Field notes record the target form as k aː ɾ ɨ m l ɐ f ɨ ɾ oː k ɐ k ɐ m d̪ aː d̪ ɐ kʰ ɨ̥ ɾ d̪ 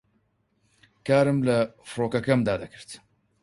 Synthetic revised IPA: k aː ɾ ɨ m l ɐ f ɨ ɾ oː k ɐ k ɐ m d̪ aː d̪ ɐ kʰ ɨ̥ ɾ t̪